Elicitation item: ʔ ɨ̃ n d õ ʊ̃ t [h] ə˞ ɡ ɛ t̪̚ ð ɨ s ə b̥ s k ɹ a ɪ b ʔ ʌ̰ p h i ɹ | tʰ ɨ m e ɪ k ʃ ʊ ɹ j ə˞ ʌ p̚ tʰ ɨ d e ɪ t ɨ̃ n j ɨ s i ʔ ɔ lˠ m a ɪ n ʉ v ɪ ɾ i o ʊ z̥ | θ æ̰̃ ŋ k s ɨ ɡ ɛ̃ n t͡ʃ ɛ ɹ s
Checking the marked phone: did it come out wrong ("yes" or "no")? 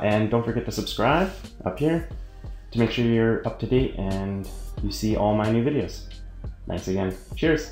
yes